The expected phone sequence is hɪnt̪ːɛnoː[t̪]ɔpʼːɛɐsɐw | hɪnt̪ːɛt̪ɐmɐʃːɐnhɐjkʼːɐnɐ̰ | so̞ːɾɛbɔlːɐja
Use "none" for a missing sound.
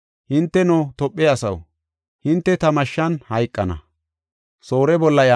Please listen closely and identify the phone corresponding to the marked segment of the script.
t̪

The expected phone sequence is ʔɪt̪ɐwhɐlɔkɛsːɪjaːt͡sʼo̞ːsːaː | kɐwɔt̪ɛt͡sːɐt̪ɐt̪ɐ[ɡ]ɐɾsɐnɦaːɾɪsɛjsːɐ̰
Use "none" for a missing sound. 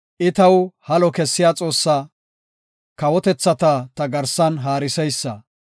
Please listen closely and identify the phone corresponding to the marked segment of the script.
ɡ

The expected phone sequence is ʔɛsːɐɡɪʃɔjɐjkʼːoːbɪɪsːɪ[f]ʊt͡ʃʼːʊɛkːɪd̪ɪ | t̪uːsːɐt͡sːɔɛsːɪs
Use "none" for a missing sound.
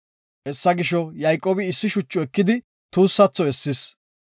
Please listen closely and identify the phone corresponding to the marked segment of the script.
ʃ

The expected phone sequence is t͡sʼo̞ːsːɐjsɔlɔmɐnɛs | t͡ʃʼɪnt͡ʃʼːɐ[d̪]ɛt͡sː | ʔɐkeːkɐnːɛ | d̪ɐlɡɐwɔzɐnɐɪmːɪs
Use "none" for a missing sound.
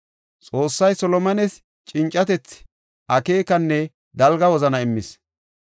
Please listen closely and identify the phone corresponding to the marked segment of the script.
t̪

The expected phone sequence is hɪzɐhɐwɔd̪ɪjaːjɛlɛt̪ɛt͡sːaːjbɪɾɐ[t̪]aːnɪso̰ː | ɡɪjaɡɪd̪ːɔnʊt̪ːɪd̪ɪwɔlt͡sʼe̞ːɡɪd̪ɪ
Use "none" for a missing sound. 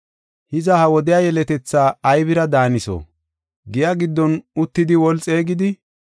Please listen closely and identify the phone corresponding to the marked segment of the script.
d̪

